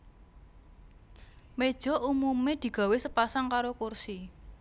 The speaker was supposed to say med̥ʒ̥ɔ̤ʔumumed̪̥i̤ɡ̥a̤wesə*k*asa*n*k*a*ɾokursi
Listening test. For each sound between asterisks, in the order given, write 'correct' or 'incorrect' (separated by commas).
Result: incorrect, incorrect, correct